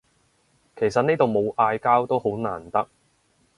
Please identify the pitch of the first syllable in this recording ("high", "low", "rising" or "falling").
low